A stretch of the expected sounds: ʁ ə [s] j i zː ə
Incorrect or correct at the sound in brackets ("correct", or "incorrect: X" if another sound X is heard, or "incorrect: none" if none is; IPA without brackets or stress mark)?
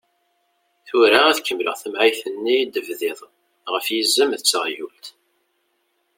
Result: incorrect: f